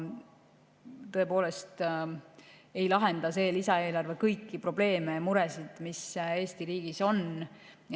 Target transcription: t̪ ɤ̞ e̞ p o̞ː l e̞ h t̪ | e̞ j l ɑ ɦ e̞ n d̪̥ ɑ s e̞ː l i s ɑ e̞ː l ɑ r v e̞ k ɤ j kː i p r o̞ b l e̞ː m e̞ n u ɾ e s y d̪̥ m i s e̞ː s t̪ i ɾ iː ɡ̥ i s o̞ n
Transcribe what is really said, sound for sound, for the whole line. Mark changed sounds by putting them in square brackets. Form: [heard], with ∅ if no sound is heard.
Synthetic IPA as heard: t̪ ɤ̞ e̞ p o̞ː l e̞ [s] t̪ | e̞ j l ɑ ɦ e̞ n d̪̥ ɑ s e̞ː l i s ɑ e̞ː l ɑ r v e̞ k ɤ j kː i p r o̞ b l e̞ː m e̞ [m] u ɾ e s [i] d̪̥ m i s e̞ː s t̪ i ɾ iː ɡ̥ i s o̞ n